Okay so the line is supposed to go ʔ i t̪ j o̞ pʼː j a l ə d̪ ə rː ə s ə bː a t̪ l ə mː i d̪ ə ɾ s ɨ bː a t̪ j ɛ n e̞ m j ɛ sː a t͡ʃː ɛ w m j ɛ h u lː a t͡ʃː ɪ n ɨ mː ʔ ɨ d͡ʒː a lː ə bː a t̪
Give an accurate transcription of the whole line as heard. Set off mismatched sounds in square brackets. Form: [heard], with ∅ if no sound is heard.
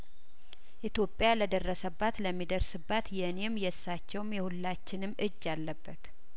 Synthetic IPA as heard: ʔ i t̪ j o̞ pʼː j a l ə d̪ ə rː ə s ə bː a t̪ l ə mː i d̪ ə ɾ s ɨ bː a t̪ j ɛ n e̞ m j ɛ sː a t͡ʃː ɛ w m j ɛ h u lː a t͡ʃː ɪ n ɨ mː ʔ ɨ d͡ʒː a lː ə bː [ə] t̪